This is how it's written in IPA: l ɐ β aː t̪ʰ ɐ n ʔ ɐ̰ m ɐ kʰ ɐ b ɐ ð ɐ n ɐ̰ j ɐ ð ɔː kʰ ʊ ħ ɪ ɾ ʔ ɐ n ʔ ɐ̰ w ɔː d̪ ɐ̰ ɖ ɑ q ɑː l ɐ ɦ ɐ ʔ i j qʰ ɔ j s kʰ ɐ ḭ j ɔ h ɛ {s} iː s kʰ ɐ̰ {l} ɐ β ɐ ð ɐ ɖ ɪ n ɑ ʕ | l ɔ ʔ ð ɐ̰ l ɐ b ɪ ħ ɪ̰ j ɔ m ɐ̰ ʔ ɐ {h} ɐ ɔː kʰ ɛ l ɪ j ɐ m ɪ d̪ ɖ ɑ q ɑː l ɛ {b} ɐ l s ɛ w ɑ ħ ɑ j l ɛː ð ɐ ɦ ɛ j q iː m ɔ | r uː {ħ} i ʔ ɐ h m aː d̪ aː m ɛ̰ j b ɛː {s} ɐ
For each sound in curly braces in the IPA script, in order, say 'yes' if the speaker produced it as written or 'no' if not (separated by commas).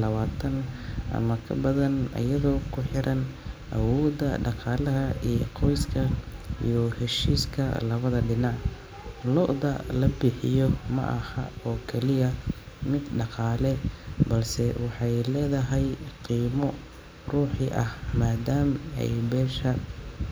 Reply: no, yes, yes, yes, yes, no